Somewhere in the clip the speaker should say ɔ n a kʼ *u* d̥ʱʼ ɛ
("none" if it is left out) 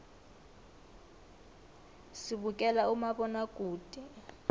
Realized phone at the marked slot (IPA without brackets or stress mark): uː